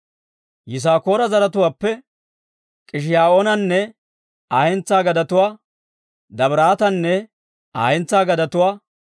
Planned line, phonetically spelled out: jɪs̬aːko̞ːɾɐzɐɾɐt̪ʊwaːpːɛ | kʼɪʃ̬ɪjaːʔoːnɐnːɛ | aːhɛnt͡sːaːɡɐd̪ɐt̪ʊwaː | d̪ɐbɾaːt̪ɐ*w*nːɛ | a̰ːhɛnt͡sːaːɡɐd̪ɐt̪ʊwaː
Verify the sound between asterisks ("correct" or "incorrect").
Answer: incorrect